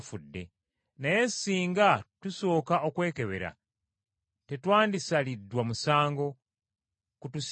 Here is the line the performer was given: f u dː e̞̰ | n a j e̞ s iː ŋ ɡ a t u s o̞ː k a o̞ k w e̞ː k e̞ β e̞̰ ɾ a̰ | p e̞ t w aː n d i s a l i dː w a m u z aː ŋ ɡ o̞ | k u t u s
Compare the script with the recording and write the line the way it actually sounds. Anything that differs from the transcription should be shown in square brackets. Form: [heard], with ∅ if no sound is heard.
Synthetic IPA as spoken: f u dː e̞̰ | n a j e̞ s iː ŋ ɡ a t u s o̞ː k a o̞ k w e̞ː k e̞ β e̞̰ ɾ a̰ | [t] e̞ t w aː n d i s a l i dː w a m u [s] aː ŋ ɡ o̞ | k u t u s